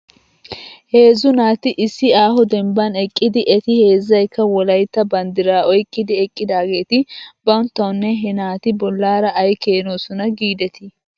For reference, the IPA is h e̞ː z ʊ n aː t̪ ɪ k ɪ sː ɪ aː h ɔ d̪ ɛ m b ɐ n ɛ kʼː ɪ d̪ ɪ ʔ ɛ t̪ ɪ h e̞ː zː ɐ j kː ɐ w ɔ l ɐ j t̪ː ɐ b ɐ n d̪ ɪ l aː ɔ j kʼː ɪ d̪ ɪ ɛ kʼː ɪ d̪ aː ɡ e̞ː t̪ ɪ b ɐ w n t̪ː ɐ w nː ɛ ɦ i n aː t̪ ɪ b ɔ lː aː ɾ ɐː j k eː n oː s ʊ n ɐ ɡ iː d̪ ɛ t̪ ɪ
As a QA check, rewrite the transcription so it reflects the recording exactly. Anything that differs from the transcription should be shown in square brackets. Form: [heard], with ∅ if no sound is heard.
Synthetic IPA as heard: h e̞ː z ʊ n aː t̪ ɪ [ʔ] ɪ sː ɪ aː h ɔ d̪ ɛ m b ɐ n ɛ kʼː ɪ d̪ ɪ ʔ ɛ t̪ ɪ h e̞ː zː ɐ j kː ɐ w ɔ l ɐ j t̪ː ɐ b ɐ n d̪ ɪ [ɾ] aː ɔ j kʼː ɪ d̪ ɪ ɛ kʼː ɪ d̪ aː ɡ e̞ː t̪ ɪ b ɐ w n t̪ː ɐ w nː ɛ ɦ [ɛ] n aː t̪ ɪ b ɔ lː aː ɾ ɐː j k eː n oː s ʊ n ɐ ɡ iː d̪ ɛ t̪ ɪ